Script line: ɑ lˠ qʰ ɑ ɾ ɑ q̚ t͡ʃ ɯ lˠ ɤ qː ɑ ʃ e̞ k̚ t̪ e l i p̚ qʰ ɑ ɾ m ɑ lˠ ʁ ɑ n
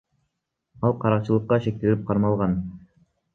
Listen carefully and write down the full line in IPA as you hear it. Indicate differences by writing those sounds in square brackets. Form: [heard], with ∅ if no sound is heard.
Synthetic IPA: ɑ lˠ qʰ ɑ ɾ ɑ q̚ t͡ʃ ɯ lˠ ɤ qː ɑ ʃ e̞ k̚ t̪ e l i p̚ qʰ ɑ ɾ m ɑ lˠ ʁ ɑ n